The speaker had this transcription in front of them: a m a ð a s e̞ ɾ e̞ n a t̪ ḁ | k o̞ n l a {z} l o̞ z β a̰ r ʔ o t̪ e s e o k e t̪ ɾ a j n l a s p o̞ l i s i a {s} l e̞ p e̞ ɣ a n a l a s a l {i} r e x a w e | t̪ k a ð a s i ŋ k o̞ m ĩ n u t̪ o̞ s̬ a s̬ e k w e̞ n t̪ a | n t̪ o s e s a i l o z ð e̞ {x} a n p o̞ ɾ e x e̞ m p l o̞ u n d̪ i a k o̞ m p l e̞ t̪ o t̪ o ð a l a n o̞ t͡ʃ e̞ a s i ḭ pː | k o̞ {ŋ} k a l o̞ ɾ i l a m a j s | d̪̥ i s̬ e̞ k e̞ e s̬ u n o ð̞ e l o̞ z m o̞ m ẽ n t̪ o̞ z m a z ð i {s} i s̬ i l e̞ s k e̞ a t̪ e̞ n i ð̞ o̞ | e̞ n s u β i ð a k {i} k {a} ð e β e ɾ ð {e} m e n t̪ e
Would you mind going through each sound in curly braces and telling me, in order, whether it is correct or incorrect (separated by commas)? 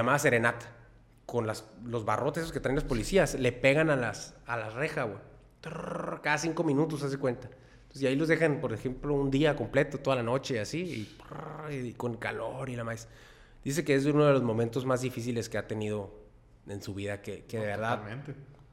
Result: incorrect, correct, incorrect, correct, incorrect, incorrect, incorrect, incorrect, incorrect